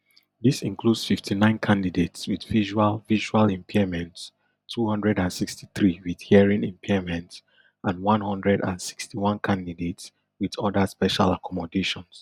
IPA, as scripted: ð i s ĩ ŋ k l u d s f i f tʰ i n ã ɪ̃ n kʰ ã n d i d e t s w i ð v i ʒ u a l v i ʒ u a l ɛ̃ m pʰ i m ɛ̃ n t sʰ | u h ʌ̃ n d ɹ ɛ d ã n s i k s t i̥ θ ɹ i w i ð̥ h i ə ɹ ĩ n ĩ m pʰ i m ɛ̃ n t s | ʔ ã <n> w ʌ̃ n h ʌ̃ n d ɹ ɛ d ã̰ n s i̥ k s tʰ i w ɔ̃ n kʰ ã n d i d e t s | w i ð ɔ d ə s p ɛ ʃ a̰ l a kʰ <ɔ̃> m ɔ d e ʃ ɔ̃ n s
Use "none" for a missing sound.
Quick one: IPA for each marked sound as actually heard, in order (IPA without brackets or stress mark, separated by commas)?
n, ɔ